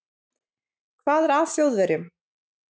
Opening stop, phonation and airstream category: aspirated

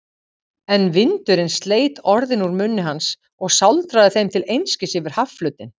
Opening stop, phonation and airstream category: plain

